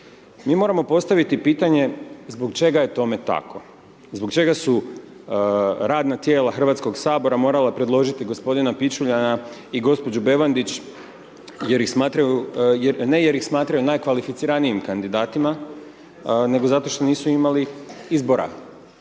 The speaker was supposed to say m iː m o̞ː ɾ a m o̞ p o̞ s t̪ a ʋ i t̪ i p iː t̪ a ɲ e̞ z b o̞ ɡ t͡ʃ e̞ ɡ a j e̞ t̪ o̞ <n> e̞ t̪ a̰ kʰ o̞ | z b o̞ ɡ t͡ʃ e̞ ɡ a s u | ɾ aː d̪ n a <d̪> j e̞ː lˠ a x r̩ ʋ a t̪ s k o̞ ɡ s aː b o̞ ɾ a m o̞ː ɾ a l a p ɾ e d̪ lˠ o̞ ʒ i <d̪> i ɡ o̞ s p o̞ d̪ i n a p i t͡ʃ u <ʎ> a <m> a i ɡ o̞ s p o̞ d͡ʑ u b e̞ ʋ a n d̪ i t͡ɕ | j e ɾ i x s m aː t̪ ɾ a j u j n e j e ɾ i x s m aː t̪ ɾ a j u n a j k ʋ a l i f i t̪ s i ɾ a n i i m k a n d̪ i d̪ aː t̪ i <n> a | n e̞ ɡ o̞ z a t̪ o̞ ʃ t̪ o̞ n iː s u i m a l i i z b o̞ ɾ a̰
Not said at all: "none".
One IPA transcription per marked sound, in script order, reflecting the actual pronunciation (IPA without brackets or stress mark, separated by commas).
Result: m, t̪, t̪, ʎ, n, m